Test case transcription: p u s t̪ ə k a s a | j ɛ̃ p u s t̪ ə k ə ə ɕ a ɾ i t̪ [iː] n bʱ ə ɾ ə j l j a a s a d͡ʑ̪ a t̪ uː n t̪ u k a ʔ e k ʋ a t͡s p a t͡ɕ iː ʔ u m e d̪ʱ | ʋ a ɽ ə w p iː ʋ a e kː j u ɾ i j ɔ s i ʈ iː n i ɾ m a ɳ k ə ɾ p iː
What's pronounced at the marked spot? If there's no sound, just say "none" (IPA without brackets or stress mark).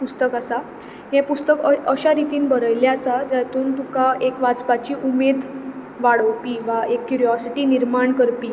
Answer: iː